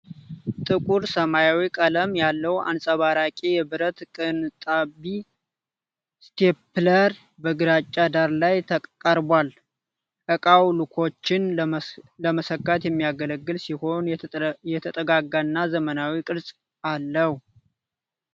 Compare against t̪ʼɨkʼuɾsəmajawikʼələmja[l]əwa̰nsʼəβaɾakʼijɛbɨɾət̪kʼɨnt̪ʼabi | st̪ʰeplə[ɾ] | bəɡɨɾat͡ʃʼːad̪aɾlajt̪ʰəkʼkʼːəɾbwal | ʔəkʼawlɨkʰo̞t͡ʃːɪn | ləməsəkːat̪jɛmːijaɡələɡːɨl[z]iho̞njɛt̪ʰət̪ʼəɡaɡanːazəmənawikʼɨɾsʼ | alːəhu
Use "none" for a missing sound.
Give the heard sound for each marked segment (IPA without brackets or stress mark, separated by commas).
lː, ɾ, s